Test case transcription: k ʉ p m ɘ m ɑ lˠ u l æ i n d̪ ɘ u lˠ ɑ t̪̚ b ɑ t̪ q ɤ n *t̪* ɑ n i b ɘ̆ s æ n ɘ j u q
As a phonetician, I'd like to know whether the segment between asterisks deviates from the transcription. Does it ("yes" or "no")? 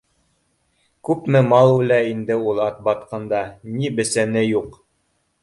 yes